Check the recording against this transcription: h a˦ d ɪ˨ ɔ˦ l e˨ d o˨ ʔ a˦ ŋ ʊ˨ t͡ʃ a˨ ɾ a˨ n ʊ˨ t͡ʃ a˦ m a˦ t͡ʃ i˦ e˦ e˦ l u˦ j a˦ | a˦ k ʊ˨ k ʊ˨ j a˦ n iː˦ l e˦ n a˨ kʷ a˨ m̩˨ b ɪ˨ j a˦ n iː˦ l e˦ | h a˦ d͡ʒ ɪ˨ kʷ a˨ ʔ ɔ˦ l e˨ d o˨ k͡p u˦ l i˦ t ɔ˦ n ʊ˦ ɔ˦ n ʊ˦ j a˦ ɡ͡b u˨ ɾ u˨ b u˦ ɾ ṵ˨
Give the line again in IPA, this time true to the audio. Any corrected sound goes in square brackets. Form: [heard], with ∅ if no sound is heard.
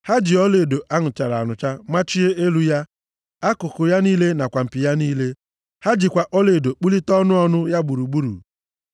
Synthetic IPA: h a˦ [d͡ʒ] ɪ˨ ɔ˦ l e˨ d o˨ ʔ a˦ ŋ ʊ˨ t͡ʃ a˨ ɾ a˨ n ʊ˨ t͡ʃ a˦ m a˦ t͡ʃ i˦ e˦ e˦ l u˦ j a˦ | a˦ k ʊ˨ k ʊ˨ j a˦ n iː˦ l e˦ n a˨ kʷ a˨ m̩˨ [p] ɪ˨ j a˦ n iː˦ l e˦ | h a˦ d͡ʒ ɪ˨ kʷ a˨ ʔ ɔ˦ l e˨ d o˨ k͡p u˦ l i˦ t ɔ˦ n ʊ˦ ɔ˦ n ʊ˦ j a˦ ɡ͡b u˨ ɾ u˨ [ɡ͡b] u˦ ɾ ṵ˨

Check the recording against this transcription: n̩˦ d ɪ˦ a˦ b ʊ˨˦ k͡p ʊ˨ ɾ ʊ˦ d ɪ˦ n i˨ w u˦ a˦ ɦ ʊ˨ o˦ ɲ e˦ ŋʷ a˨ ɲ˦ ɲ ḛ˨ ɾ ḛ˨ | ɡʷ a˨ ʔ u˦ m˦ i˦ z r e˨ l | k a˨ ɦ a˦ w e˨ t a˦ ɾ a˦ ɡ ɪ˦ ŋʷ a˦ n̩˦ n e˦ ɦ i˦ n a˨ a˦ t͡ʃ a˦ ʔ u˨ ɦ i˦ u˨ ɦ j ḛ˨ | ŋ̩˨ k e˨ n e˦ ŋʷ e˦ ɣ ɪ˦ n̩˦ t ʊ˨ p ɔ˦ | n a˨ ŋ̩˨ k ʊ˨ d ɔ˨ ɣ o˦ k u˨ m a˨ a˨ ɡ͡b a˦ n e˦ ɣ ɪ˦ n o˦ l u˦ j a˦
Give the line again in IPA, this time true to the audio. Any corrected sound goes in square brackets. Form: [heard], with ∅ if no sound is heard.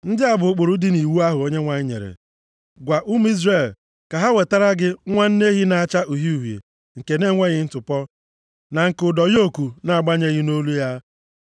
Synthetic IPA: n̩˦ d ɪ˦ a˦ b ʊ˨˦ k͡p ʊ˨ ɾ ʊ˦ d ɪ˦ n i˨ w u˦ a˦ ɦ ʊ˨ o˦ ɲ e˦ ŋʷ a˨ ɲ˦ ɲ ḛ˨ ɾ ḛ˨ | ɡʷ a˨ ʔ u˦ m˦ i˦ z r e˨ l | k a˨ ɦ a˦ w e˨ t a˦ ɾ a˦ ɡ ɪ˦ ŋʷ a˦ n̩˦ n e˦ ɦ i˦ n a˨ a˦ t͡ʃ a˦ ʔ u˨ ɦ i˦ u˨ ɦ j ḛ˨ | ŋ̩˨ k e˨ n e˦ ŋʷ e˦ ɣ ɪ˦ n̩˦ t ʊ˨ p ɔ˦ | n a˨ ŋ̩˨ k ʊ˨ d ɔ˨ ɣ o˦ k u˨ [n] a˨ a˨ ɡ͡b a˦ [ɲ] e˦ ɣ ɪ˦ n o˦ l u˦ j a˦

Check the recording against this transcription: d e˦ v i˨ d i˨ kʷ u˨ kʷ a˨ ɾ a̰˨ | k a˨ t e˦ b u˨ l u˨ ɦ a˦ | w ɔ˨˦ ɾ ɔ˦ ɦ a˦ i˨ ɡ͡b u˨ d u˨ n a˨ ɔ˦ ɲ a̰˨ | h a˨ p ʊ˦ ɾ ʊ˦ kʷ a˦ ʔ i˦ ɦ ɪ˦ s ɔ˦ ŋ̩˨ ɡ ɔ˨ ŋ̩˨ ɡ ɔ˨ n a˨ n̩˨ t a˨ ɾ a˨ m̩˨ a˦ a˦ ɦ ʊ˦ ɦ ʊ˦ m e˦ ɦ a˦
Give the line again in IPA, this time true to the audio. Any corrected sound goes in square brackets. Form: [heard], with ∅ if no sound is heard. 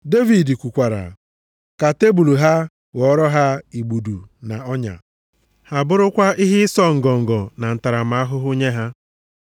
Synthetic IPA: d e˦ v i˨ d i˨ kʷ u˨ kʷ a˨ ɾ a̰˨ | k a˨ t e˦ b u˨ l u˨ ɦ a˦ | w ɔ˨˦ ɾ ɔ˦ ɦ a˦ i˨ ɡ͡b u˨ d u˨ n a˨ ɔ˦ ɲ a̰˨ | h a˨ [b] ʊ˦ ɾ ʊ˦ kʷ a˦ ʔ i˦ ɦ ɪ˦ s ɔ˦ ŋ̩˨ ɡ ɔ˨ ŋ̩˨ ɡ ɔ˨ n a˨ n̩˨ t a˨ ɾ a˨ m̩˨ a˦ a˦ ɦ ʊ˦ ɦ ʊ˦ [ɲ] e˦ ɦ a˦

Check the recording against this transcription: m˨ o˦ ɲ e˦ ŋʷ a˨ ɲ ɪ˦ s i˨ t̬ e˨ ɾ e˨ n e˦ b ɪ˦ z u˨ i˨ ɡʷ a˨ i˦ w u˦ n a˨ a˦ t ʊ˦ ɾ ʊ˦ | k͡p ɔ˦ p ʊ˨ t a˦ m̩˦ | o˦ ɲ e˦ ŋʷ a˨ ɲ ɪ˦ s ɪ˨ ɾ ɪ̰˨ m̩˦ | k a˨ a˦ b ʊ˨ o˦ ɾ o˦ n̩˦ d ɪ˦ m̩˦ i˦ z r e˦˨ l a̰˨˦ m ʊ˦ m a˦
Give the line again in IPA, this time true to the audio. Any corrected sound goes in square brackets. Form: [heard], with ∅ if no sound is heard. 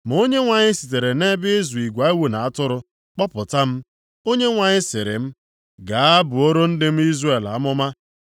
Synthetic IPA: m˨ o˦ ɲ e˦ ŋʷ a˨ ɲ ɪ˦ s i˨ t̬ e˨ ɾ e˨ n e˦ b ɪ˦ z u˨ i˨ ɡʷ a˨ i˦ w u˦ n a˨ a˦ t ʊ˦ ɾ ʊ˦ | k͡p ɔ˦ p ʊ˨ t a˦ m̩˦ | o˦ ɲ e˦ ŋʷ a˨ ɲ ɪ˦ s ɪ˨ ɾ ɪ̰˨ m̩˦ | [ɡ] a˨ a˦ b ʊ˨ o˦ ɾ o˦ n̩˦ d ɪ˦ m̩˦ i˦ z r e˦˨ l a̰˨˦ m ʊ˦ m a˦

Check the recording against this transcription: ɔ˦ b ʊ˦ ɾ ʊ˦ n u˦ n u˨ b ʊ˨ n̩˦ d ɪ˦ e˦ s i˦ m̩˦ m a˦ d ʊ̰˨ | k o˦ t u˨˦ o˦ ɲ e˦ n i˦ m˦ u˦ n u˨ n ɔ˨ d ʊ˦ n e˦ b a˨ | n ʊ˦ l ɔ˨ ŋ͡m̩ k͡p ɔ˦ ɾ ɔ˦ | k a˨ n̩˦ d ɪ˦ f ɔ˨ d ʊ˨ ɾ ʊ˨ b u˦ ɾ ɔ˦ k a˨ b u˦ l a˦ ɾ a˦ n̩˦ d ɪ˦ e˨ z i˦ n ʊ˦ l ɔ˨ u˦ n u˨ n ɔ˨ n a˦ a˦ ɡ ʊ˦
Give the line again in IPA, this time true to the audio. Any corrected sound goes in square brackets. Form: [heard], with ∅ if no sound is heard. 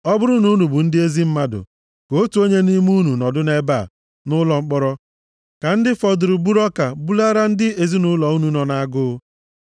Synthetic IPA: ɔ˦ b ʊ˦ ɾ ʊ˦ n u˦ n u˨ b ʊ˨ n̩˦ d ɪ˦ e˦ [z] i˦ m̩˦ m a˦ d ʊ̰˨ | k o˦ t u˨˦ o˦ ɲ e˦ n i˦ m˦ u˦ n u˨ n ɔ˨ d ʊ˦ n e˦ b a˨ | n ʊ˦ l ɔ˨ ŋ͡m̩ k͡p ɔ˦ ɾ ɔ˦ | k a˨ n̩˦ d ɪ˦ f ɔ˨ d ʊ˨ ɾ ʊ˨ b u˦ ɾ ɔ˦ k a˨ b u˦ l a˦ ɾ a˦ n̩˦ d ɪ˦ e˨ z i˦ n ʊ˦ l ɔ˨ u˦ n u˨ n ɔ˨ n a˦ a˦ ɡ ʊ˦

